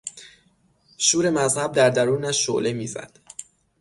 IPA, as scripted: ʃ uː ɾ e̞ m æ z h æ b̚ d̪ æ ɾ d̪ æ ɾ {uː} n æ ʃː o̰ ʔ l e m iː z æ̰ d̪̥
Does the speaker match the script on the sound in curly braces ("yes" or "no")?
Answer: yes